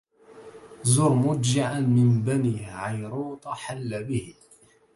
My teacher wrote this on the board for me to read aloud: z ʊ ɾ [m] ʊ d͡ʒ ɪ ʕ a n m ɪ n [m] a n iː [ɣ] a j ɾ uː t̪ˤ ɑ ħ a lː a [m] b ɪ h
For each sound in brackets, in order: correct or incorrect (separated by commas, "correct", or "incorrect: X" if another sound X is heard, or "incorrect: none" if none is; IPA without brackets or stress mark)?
correct, incorrect: b, incorrect: ʕ, incorrect: none